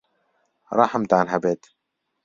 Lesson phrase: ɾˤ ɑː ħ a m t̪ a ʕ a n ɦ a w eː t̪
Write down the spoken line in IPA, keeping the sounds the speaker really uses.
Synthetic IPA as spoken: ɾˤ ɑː ħ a m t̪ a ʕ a n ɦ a b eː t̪